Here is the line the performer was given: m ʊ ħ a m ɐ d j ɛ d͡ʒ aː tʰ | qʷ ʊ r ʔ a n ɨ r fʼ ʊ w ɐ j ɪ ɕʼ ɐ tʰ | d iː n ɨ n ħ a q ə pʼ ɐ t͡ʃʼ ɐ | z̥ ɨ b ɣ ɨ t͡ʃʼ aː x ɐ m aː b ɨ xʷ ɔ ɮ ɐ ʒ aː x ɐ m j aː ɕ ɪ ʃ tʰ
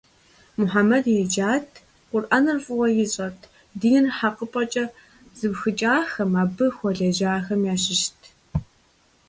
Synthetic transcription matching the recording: m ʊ ħ a m ɐ d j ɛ d͡ʒ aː tʰ | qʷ ʊ r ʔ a n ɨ r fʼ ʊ w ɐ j ɪ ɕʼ ɐ tʰ | d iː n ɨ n ħ a q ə pʼ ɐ t͡ʃʼ ɐ | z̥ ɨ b x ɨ t͡ʃʼ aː x ɐ m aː b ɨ xʷ ɔ ɮ ɐ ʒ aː x ɐ m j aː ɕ ɪ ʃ tʰ